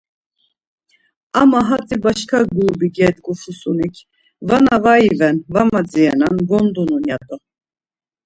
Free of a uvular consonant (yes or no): yes